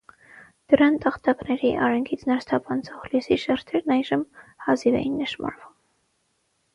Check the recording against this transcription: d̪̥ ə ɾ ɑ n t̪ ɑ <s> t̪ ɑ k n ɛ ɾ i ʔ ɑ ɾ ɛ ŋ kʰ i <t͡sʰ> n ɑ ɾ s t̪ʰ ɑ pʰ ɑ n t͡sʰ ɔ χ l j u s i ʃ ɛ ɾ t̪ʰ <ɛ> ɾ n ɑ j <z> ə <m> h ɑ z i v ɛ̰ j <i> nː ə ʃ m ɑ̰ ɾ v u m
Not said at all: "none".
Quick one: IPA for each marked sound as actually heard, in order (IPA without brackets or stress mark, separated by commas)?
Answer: χ, t͡sʰ, ɛ, ʒ, m, i